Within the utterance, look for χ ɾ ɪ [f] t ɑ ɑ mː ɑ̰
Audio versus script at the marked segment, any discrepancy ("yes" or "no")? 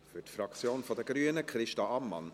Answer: yes